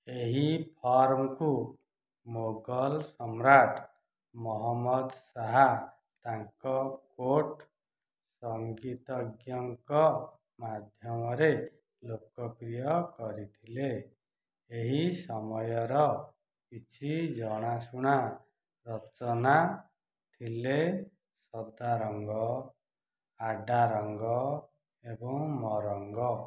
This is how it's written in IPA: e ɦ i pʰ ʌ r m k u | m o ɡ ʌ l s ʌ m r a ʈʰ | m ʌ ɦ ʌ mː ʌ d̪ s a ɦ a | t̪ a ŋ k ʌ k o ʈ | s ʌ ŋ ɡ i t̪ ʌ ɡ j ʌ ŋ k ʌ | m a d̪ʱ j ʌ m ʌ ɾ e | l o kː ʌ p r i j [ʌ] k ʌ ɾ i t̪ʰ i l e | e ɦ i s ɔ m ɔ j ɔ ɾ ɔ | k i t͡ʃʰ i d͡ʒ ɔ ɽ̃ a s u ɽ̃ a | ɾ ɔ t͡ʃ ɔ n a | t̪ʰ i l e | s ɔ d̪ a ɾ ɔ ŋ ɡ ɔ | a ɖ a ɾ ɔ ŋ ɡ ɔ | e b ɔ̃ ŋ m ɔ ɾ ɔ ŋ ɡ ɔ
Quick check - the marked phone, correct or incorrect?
correct